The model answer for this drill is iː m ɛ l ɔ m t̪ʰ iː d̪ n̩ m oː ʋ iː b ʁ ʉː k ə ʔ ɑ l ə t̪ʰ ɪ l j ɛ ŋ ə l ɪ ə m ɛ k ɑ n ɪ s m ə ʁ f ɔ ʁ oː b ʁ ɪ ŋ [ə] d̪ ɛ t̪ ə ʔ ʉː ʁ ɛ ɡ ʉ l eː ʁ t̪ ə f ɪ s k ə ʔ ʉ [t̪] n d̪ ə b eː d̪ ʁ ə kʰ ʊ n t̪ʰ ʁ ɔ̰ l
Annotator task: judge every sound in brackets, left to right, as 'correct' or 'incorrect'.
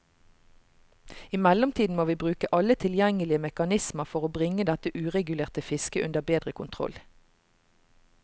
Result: correct, incorrect: none

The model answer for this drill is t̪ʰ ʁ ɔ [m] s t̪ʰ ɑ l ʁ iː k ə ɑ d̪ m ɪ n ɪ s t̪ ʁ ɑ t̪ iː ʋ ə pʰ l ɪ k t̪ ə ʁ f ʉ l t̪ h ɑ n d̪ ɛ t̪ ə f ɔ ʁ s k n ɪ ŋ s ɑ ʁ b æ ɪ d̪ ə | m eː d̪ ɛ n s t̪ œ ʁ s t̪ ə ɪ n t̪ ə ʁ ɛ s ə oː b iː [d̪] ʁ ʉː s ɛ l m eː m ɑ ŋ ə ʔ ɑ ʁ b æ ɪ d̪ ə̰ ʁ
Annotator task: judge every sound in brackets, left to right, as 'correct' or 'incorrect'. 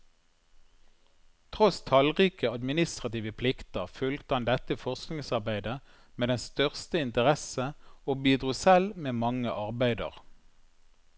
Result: incorrect: none, correct

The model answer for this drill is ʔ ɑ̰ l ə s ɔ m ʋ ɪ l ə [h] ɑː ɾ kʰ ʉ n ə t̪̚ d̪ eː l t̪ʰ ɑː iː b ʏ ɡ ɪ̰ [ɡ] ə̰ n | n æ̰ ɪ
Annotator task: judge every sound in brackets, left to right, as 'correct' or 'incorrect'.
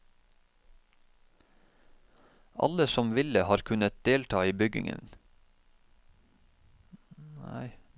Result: correct, incorrect: ŋ

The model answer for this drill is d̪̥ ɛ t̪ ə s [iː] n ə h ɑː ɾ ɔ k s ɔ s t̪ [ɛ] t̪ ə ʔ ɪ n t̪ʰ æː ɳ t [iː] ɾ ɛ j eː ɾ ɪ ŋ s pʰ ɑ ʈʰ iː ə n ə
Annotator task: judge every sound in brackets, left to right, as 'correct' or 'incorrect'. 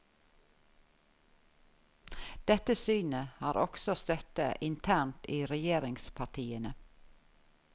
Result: incorrect: yː, incorrect: œ, correct

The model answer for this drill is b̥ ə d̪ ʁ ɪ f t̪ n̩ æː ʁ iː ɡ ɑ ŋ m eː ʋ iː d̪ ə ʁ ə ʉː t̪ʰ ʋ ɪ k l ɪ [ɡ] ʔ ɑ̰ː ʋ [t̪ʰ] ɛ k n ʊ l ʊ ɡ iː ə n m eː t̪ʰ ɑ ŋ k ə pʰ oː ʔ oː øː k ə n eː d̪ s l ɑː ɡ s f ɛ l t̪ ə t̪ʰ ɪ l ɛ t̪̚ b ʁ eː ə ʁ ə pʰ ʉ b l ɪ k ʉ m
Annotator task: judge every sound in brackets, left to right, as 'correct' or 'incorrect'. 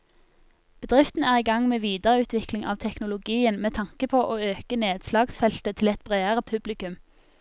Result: incorrect: ŋ, correct

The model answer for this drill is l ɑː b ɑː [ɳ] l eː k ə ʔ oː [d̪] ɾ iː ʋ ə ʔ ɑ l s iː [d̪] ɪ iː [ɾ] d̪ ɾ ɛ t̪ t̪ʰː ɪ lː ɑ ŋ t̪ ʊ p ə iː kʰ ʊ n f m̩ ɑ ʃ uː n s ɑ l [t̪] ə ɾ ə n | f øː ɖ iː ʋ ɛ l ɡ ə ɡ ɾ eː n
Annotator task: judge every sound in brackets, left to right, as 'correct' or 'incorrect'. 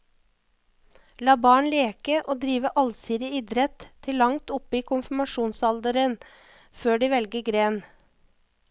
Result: correct, correct, correct, incorrect: none, incorrect: d̪

